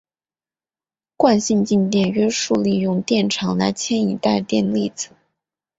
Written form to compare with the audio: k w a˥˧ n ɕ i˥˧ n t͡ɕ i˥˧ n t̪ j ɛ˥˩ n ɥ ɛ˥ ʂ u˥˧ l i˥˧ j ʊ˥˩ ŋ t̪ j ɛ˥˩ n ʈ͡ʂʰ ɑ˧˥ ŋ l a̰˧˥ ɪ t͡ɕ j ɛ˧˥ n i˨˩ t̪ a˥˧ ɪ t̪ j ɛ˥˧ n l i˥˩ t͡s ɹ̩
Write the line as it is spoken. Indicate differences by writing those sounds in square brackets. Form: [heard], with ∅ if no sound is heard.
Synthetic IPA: k w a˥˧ n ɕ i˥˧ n t͡ɕ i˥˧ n t̪ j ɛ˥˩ n ɥ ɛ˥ ʂ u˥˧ l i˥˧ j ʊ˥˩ ŋ t̪ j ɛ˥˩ n ʈ͡ʂʰ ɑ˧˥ ŋ l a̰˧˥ ɪ [t͡ɕʰ] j [ɛ˥] n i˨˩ t̪ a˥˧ ɪ t̪ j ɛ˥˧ n l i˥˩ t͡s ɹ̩

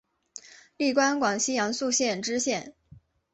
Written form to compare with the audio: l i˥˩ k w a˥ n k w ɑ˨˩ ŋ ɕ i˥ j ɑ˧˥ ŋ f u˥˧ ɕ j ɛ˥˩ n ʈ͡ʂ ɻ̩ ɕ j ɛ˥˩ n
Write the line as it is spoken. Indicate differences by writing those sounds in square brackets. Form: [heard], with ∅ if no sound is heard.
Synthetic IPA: l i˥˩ k w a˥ n k w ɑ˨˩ ŋ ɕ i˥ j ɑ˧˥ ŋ [s] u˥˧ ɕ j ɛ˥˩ n ʈ͡ʂ ɻ̩ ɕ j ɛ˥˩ n

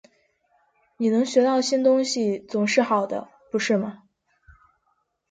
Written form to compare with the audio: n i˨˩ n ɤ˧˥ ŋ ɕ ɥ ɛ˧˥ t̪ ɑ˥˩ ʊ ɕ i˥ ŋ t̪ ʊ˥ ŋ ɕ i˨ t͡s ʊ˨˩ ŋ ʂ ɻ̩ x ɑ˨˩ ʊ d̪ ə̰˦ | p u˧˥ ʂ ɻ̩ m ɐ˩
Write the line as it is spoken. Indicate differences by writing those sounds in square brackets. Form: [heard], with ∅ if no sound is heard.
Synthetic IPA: n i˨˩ n ɤ˧˥ ŋ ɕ ɥ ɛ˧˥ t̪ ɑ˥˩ ʊ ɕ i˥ [n] t̪ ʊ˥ ŋ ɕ i˨ t͡s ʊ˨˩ ŋ ʂ ɻ̩ x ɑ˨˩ ʊ d̪ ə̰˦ | p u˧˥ ʂ ɻ̩ m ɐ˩

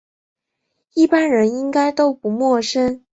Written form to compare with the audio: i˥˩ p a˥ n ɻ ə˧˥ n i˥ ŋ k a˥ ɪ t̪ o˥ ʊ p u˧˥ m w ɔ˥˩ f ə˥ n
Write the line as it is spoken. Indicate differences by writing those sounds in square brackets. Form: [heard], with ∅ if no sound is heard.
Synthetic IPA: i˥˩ p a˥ n ɻ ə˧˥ n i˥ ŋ k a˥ ɪ t̪ o˥ ʊ p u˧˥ m w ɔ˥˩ [ʂ] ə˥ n

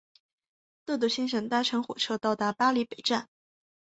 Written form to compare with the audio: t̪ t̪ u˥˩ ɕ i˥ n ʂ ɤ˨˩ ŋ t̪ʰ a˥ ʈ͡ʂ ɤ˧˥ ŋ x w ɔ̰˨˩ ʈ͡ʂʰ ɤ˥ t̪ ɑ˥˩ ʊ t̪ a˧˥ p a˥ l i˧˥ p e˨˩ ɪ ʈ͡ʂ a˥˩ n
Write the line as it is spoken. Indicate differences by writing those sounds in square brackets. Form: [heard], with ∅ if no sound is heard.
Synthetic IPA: t̪ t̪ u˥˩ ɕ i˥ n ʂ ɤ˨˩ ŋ [t̪] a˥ [ʈ͡ʂʰ] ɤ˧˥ ŋ x w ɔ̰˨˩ ʈ͡ʂʰ ɤ˥ t̪ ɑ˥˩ ʊ t̪ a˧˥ p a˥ l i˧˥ p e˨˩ ɪ ʈ͡ʂ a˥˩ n

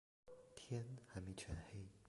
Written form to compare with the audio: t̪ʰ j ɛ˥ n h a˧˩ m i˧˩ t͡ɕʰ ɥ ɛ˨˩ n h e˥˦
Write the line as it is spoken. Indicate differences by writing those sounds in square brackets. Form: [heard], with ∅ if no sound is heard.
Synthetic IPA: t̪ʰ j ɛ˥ n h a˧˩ m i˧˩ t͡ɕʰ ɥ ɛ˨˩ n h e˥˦

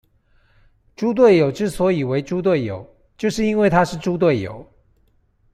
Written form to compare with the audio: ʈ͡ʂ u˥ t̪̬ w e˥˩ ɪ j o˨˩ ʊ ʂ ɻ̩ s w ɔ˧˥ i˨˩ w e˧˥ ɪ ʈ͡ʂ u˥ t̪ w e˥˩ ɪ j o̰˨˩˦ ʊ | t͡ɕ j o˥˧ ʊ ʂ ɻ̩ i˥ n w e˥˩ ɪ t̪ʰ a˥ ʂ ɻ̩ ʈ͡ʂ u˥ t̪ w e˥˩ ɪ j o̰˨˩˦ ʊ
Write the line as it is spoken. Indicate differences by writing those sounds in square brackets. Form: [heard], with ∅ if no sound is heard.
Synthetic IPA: ʈ͡ʂ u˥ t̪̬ w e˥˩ ɪ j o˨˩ ʊ [ʈ͡ʂ] ɻ̩ s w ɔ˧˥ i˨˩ w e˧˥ ɪ ʈ͡ʂ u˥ t̪ w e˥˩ ɪ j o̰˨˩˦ ʊ | t͡ɕ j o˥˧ ʊ ʂ ɻ̩ i˥ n w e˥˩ ɪ t̪ʰ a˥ ʂ ɻ̩ ʈ͡ʂ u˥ t̪ w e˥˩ ɪ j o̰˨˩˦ ʊ

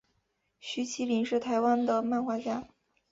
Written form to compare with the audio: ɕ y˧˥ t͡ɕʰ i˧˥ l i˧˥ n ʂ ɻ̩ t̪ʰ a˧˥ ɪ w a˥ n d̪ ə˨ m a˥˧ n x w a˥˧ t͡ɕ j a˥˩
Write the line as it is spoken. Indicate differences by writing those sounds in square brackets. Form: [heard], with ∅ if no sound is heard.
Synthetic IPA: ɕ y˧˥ t͡ɕʰ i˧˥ l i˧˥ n ʂ ɻ̩ t̪ʰ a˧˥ ɪ w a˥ n d̪ ə˨ m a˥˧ n x w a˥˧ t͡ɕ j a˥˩

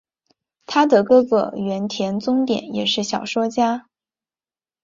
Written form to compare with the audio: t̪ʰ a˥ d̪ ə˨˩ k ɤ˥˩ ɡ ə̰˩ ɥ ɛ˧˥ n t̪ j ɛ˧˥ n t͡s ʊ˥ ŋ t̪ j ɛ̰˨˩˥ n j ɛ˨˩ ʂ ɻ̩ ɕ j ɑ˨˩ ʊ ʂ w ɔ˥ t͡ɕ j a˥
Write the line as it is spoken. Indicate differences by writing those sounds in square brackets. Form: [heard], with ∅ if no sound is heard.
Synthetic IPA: t̪ʰ a˥ d̪ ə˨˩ k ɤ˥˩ ɡ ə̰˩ ɥ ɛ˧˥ n [t̪ʰ] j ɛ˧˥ n t͡s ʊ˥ ŋ t̪ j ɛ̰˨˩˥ n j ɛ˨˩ ʂ ɻ̩ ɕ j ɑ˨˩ ʊ ʂ w ɔ˥ t͡ɕ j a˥

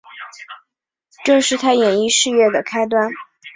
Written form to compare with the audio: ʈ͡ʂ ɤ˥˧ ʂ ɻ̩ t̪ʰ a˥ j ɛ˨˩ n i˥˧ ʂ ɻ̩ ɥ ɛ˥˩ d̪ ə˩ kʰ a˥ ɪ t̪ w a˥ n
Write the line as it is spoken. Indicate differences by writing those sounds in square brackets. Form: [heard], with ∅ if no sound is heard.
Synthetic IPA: ʈ͡ʂ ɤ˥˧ ʂ ɻ̩ t̪ʰ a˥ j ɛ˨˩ n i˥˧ ʂ ɻ̩ ɥ ɛ˥˩ d̪ ə˩ kʰ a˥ ɪ t̪ w a˥ n

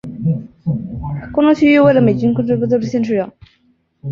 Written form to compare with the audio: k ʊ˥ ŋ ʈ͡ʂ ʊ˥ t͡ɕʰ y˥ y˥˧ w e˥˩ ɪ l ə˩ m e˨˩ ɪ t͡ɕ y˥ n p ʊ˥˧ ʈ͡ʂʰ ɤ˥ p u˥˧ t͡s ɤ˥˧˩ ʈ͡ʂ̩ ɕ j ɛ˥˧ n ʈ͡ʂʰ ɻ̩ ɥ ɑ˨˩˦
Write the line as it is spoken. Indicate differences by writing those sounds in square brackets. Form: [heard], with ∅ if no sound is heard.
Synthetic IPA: k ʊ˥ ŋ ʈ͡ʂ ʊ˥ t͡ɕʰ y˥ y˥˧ w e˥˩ ɪ l ə˩ m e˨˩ ɪ t͡ɕ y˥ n [k] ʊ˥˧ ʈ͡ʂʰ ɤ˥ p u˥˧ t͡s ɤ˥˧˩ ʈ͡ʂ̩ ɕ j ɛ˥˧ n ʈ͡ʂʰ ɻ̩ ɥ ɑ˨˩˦

